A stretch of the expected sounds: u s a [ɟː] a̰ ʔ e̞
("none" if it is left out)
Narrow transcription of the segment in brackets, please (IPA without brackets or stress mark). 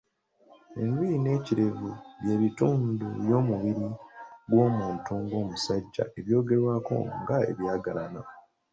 ɟː